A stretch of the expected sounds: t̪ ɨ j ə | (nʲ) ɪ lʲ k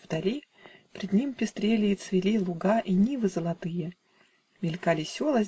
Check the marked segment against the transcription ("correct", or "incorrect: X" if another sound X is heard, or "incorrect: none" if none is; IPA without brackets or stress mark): incorrect: mʲ